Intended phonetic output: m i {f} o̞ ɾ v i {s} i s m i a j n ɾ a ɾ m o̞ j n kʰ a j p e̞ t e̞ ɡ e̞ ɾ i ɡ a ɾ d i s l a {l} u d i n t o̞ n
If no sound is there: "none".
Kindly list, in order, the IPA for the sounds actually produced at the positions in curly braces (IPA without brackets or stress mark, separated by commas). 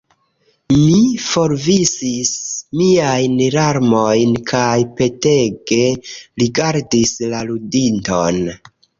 f, s, l